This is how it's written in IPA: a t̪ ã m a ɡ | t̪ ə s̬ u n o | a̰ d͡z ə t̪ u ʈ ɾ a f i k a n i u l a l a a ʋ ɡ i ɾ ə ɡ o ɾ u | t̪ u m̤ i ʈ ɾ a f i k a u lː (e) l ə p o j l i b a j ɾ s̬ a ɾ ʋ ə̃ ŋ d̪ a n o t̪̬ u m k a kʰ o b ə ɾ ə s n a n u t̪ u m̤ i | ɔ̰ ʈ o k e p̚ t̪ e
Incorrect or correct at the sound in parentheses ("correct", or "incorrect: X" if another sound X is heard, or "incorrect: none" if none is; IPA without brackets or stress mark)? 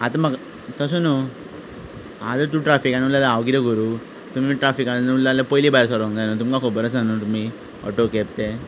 incorrect: a